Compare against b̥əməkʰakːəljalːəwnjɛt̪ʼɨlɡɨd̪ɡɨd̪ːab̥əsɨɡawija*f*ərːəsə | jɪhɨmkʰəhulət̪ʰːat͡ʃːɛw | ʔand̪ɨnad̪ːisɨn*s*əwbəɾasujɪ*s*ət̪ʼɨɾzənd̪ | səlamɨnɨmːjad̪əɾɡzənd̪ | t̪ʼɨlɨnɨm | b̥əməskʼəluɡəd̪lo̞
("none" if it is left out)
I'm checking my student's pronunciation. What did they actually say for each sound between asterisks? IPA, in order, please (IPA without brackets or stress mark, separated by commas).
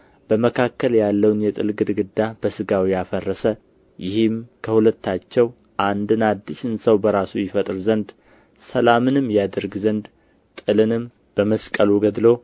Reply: f, s, f